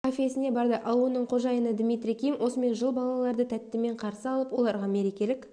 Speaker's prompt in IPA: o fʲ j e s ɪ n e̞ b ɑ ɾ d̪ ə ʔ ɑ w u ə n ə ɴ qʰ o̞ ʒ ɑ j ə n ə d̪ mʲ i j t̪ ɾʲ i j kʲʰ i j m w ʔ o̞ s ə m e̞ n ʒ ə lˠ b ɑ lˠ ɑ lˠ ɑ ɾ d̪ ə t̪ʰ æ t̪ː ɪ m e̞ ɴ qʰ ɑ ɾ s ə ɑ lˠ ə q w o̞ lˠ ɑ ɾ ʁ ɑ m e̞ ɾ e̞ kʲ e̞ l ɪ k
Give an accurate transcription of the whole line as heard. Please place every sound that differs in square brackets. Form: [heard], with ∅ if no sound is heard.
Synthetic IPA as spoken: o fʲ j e s ɪ n e̞ b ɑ ɾ d̪ ə ʔ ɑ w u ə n ə ɴ qʰ o̞ ʒ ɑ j ə n ə d̪ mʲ i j t̪ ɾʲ i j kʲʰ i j m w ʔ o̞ s ə m e̞ n ʒ ə lˠ b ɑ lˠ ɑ lˠ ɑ ɾ d̪ ə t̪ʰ æ t̪ː ɪ m e̞ ɴ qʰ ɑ ɾ s ə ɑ lˠ ə [p] w o̞ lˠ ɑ ɾ ʁ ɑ m e̞ ɾ e̞ kʲ e̞ l ɪ k